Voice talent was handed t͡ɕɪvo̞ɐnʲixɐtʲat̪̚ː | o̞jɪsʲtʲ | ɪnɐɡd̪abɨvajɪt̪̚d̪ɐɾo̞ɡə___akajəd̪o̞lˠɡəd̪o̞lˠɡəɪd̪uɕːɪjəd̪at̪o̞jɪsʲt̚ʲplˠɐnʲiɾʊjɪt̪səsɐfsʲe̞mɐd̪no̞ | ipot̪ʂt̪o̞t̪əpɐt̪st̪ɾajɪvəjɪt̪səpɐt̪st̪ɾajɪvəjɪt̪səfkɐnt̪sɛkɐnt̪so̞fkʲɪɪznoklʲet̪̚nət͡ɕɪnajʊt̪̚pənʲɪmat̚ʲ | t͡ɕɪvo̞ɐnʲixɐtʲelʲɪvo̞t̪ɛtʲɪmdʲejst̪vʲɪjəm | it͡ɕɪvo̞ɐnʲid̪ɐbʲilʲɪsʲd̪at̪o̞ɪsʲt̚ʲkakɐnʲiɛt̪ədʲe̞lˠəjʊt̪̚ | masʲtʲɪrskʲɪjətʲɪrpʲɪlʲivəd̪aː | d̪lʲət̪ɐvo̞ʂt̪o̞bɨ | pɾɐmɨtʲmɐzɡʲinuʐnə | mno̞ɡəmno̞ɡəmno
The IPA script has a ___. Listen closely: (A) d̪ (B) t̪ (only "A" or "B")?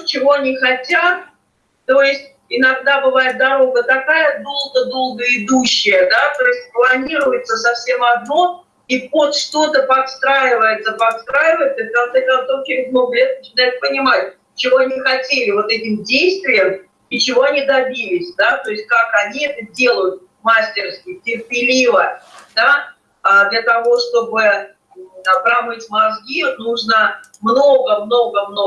B